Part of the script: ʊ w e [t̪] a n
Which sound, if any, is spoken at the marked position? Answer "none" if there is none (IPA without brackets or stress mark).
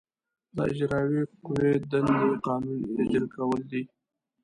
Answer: d̪